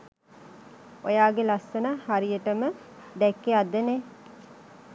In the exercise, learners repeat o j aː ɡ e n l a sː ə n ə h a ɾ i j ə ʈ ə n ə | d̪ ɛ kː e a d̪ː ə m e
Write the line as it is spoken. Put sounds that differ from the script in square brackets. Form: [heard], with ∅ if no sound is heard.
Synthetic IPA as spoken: o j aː ɡ e [∅] l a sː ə n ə h a ɾ i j ə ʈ ə [m] ə | d̪ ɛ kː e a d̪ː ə [n] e